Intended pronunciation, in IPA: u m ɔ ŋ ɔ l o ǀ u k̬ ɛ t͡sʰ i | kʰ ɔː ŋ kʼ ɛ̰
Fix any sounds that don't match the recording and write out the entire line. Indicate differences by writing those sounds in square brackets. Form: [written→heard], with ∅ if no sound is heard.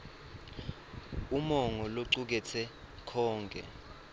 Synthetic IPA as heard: u m ɔ ŋ ɔ l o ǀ u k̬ ɛ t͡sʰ [i→ɛ] | kʰ ɔː ŋ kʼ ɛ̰